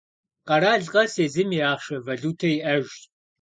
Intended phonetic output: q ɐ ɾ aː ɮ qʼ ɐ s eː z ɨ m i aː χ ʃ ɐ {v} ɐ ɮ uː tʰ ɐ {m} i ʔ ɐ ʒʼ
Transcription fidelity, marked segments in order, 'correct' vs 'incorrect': correct, incorrect: none

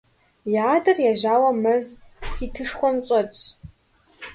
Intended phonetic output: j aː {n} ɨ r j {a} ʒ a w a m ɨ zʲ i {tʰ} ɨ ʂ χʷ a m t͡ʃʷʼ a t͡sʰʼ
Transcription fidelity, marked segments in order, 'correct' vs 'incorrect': incorrect: d, correct, correct

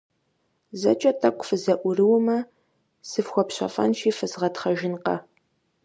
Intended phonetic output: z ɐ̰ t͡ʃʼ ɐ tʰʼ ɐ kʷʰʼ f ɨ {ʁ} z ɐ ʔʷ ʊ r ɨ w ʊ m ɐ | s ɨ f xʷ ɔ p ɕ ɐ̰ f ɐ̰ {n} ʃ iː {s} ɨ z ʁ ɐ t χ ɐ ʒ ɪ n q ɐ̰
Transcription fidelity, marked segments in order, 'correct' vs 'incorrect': incorrect: none, correct, incorrect: f

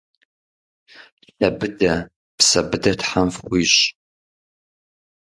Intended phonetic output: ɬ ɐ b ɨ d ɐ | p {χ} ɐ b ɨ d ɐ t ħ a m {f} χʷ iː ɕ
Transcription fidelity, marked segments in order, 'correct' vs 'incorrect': incorrect: s, correct

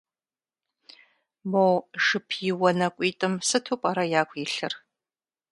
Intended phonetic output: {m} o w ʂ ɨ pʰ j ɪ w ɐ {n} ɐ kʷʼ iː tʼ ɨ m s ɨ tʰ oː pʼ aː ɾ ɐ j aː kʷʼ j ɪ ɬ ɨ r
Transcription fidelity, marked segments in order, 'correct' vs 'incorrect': correct, correct

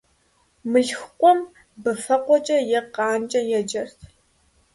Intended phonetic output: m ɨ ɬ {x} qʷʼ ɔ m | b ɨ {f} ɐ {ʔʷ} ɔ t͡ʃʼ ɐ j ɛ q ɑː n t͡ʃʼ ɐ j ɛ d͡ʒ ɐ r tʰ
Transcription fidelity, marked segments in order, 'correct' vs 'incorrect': correct, correct, incorrect: qʷ

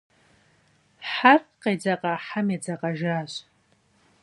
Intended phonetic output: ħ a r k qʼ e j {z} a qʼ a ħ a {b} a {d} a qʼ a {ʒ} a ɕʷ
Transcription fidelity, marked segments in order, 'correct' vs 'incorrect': incorrect: d͡z, incorrect: m, incorrect: d͡z, correct

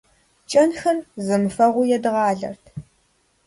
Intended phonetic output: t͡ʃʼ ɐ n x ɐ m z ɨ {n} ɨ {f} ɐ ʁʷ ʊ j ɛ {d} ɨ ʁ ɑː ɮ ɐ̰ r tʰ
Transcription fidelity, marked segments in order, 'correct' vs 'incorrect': incorrect: m, correct, correct

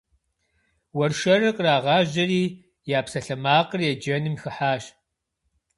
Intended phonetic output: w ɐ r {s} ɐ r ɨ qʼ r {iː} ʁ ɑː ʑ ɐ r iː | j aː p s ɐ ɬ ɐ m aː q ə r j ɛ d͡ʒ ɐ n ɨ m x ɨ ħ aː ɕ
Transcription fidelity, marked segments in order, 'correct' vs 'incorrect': incorrect: ʃ, incorrect: aː

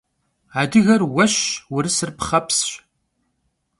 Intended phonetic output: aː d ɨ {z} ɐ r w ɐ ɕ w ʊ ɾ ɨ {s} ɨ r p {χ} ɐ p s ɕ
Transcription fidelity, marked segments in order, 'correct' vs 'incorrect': incorrect: ɣ, correct, correct

